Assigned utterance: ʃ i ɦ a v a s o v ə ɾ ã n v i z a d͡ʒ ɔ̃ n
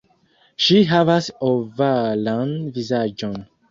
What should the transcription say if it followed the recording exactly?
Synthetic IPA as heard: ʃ i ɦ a v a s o v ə l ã n v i z a d͡ʒ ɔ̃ n